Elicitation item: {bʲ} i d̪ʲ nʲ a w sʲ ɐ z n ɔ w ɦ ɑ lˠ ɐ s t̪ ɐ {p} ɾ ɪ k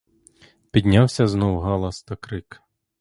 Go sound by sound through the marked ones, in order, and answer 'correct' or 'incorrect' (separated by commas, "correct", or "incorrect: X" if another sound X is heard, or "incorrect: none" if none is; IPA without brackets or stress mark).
incorrect: pʲ, incorrect: k